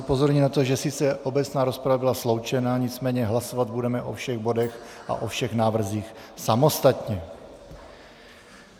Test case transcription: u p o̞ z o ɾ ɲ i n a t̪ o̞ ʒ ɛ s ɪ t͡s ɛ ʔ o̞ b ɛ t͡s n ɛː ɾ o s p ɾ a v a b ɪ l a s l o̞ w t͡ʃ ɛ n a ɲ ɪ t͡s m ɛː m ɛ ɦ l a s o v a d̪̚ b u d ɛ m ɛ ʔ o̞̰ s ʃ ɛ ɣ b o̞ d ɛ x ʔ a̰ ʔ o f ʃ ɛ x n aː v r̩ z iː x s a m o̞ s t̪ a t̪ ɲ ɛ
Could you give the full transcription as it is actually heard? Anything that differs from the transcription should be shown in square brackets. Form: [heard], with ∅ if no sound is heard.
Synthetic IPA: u p o̞ z o ɾ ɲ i n a t̪ o̞ ʒ ɛ s ɪ t͡s ɛ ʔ o̞ b ɛ t͡s n [aː] ɾ o s p ɾ a v a b ɪ l a s l o̞ w t͡ʃ ɛ n a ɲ ɪ t͡s m ɛː [ɲ] ɛ ɦ l a s o v a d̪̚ b u d ɛ m ɛ ʔ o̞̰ [f] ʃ ɛ ɣ b o̞ d ɛ x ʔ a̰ ʔ o f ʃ ɛ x n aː v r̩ z iː x s a m o̞ s t̪ a t̪ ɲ ɛ